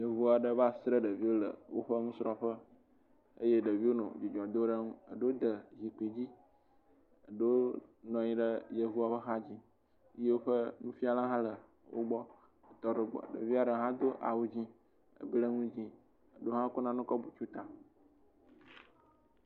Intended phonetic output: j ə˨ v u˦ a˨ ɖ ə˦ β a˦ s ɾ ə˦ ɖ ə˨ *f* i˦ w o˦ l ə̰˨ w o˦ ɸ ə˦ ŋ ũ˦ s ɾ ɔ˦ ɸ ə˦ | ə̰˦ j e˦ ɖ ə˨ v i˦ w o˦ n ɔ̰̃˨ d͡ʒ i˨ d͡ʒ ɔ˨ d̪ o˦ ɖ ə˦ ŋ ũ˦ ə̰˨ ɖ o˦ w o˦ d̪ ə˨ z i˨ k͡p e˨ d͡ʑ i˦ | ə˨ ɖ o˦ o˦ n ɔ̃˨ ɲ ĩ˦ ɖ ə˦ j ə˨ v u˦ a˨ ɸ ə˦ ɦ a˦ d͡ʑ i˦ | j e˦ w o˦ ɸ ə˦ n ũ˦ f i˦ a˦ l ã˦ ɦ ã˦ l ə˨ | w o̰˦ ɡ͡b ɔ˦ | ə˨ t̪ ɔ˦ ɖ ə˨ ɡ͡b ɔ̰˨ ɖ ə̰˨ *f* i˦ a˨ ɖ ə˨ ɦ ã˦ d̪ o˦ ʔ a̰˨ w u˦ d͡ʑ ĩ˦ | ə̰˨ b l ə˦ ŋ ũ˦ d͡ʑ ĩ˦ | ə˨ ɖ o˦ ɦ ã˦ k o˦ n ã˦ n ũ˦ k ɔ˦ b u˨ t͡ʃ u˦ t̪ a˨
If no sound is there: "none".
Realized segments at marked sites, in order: v, v

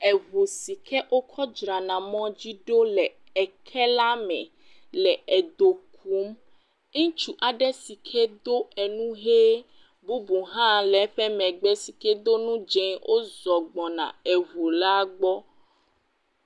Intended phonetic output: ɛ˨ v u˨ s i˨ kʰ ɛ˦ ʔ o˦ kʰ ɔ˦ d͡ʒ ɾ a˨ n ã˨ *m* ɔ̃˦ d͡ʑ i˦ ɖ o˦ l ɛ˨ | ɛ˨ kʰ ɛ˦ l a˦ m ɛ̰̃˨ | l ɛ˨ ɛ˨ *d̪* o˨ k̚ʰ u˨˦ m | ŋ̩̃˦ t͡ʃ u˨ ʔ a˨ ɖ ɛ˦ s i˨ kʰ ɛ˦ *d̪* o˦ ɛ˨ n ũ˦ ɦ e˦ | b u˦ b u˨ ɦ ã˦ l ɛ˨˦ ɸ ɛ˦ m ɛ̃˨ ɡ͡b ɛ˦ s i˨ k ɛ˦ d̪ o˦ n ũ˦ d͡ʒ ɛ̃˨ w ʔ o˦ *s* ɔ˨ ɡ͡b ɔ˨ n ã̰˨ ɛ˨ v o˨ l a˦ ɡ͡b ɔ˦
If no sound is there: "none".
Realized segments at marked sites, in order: m, d̪, d̪, z

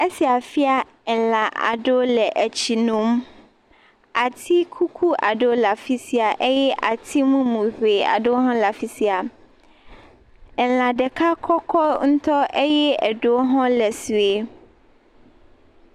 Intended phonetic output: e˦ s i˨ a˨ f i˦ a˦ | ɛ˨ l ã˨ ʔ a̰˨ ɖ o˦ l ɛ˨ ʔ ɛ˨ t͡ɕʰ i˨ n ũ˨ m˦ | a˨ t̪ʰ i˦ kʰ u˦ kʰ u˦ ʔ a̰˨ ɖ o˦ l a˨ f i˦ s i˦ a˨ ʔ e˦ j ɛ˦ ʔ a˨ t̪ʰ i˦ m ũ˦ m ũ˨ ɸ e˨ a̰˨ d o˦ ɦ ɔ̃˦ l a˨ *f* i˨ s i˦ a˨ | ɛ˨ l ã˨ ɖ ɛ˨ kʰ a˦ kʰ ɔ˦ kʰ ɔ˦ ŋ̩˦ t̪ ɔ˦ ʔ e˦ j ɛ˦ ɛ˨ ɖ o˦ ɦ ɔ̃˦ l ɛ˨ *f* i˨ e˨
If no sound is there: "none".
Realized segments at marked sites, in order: f, s

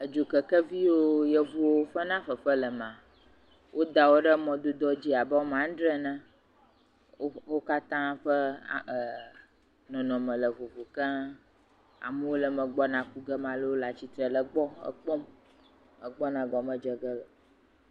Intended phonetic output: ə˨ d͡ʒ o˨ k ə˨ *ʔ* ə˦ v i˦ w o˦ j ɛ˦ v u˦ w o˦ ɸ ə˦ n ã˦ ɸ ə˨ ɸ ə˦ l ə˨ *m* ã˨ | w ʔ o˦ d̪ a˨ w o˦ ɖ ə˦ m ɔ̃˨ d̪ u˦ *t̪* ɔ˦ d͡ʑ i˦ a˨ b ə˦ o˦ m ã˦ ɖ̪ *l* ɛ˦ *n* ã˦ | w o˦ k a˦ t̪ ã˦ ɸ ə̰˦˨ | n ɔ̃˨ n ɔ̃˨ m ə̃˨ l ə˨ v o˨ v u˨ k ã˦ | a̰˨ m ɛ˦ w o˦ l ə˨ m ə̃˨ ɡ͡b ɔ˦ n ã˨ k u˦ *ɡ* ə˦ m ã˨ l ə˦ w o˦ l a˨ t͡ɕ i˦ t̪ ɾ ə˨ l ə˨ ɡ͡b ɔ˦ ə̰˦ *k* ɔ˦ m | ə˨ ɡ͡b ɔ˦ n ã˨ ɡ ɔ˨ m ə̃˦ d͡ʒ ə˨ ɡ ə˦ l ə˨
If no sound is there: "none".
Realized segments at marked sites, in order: k, m, d̪, ɾ, n, ɡ, k͡p

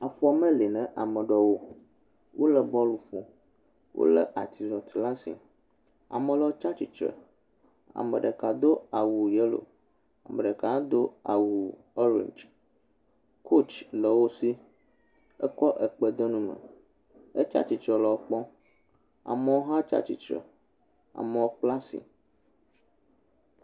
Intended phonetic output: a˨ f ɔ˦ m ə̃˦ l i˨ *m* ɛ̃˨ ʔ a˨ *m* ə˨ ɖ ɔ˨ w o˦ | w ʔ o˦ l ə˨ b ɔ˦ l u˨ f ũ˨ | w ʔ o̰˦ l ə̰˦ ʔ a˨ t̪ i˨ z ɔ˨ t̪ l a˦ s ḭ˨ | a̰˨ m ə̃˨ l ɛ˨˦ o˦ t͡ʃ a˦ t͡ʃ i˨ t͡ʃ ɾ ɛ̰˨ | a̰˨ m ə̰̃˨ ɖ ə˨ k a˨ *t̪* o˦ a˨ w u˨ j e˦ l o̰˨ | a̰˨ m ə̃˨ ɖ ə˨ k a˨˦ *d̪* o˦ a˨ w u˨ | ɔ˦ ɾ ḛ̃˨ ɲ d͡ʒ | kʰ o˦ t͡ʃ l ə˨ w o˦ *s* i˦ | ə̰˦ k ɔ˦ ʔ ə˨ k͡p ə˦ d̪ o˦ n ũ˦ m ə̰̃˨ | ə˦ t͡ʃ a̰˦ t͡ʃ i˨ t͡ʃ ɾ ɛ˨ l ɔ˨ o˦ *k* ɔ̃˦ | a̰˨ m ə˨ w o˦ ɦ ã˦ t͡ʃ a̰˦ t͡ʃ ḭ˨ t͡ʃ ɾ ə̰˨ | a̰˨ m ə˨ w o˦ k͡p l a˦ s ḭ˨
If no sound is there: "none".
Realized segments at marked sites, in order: n, m, d̪, d̪, s, k͡p

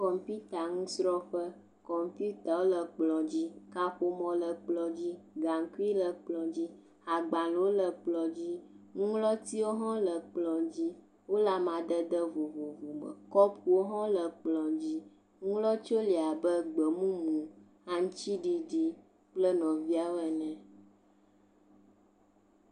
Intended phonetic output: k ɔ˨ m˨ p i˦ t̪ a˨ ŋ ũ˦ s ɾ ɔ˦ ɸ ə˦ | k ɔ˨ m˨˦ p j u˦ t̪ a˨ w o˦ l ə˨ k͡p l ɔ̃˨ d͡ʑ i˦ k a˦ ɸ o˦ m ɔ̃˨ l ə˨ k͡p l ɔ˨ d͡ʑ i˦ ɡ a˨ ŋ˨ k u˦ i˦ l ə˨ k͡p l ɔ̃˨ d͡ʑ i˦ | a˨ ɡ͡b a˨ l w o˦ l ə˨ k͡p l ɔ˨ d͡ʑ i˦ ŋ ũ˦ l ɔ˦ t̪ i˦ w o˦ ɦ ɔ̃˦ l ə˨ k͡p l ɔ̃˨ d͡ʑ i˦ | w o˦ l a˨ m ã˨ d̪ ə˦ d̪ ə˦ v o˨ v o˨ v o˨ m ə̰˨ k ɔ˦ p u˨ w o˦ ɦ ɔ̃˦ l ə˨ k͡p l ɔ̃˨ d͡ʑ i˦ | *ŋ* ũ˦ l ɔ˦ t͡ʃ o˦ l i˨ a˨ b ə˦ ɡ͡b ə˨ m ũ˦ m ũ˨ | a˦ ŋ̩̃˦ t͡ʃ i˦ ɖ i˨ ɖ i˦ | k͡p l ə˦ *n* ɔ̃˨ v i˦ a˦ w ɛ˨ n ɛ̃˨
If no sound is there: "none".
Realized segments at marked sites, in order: ŋ, n

